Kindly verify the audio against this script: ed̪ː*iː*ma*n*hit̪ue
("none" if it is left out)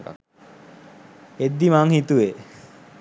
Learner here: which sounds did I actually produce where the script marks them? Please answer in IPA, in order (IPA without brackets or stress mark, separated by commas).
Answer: i, ŋ